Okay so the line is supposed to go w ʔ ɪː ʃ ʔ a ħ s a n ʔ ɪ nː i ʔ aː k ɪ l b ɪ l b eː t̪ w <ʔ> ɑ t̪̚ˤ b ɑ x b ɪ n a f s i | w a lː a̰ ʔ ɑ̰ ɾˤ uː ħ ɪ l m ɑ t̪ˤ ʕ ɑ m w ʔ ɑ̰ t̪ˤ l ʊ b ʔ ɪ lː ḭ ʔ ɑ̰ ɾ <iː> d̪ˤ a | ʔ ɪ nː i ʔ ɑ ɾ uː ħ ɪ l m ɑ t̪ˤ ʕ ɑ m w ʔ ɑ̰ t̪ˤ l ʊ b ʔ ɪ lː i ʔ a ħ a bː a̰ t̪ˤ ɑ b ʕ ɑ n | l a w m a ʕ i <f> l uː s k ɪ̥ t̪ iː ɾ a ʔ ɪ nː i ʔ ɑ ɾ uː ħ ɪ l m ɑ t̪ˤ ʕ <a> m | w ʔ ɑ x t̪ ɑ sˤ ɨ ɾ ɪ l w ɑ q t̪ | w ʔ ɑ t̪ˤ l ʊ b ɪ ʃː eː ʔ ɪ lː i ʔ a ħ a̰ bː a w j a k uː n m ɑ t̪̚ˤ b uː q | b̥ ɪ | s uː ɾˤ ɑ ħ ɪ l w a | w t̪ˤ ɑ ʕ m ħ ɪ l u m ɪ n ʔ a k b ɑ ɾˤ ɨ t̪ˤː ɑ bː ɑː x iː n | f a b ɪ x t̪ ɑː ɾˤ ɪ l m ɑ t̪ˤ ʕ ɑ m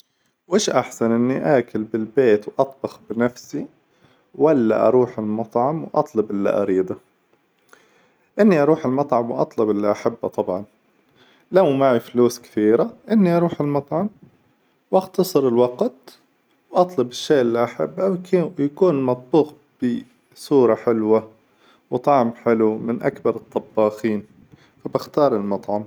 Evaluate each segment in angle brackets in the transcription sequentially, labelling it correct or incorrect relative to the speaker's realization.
correct, correct, correct, incorrect: ɑ

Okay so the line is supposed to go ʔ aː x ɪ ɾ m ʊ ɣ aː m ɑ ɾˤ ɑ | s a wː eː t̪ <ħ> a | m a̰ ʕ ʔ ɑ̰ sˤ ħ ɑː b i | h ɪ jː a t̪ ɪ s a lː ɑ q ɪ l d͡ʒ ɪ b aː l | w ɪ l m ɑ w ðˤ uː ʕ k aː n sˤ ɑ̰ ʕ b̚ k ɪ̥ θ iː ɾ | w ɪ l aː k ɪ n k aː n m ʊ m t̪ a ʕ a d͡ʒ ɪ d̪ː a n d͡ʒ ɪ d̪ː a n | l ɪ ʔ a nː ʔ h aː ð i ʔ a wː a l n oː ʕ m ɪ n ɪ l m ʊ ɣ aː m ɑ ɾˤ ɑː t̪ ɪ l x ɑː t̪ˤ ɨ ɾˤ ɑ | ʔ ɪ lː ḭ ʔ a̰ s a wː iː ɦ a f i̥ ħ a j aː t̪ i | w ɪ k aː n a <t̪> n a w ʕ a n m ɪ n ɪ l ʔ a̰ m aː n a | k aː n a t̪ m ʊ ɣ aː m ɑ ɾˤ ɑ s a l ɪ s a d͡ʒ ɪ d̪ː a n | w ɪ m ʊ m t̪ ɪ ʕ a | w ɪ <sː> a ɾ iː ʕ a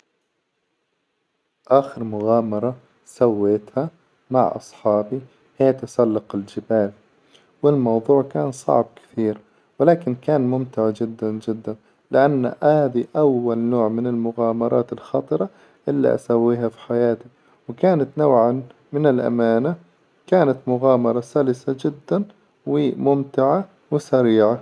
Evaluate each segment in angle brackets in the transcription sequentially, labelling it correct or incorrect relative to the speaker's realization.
incorrect: h, correct, incorrect: s

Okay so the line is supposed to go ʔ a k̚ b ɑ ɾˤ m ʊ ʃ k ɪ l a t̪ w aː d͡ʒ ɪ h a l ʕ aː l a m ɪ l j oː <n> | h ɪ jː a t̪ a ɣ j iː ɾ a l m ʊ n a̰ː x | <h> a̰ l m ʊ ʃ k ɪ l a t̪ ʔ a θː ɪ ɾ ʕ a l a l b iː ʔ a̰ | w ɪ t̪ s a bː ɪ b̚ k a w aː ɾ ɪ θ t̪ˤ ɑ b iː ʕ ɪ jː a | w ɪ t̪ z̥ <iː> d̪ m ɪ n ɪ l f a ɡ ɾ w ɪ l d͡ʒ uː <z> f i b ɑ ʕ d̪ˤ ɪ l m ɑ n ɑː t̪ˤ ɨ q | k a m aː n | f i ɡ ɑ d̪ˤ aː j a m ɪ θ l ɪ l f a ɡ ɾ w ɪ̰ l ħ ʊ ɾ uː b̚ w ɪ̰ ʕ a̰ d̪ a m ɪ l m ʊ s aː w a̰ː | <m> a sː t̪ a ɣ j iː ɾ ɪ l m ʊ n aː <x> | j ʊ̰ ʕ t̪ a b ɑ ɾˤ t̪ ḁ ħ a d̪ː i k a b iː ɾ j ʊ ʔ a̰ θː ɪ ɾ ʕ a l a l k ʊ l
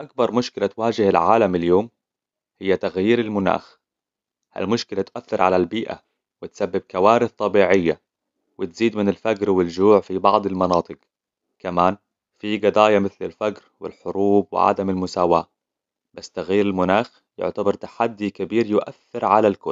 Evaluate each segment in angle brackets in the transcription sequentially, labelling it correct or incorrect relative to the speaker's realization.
incorrect: m, correct, correct, incorrect: ʕ, incorrect: b, correct

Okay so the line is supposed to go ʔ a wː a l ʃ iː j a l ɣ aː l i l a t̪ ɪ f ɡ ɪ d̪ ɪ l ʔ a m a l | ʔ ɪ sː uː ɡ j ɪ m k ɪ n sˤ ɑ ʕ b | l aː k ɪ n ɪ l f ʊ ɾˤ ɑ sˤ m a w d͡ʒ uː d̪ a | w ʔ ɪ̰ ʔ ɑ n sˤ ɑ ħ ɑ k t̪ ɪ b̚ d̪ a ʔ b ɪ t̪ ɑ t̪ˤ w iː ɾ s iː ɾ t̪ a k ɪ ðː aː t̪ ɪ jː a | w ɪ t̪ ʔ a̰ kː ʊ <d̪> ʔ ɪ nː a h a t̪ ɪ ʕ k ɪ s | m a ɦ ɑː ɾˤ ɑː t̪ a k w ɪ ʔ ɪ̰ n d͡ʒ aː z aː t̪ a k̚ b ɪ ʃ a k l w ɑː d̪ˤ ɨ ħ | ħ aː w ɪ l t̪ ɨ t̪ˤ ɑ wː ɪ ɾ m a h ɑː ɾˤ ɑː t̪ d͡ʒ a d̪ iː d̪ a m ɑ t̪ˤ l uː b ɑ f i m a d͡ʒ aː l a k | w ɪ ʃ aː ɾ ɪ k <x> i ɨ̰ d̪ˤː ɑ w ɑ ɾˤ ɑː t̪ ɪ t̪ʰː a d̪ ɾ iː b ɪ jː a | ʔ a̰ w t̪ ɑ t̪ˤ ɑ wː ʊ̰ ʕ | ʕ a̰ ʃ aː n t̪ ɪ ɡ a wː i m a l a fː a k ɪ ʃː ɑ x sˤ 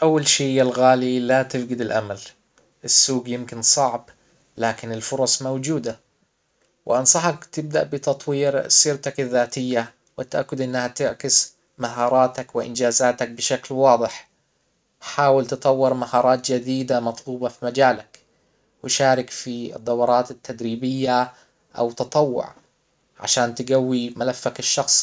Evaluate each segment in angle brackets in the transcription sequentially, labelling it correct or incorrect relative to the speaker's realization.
correct, incorrect: f

